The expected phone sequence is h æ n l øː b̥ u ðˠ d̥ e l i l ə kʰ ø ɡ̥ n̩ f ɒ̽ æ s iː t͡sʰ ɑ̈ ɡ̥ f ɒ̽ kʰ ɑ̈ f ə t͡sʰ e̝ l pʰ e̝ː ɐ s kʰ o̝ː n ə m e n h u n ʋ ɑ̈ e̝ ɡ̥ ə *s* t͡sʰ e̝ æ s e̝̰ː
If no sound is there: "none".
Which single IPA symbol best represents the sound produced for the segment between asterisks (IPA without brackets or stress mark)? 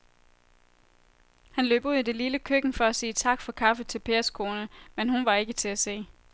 none